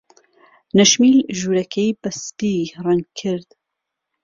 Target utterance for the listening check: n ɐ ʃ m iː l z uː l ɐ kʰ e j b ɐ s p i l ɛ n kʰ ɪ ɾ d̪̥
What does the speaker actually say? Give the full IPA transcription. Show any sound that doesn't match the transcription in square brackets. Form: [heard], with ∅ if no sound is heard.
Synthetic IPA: n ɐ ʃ m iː l [ʒ] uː [ɾ] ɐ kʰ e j b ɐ s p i [r] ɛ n kʰ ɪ ɾ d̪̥